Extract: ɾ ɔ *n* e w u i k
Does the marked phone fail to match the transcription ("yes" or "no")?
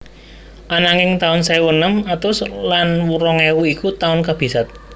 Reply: yes